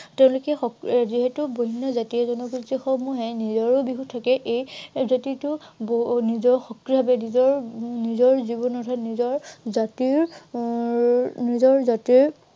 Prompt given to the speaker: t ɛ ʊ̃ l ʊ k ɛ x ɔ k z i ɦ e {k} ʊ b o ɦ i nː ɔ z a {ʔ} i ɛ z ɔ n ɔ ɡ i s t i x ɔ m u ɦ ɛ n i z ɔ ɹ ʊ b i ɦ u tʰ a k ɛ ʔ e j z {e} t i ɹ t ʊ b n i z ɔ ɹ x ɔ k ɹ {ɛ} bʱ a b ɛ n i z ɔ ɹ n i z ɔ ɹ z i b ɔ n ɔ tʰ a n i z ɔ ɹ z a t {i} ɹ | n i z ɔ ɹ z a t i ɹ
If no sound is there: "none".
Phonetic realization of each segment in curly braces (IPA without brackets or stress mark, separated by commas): t, t, a, i, i